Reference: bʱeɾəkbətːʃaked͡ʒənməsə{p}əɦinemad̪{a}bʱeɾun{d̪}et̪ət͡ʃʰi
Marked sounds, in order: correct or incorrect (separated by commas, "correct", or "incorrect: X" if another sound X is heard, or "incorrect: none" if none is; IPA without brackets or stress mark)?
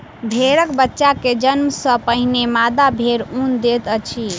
correct, correct, correct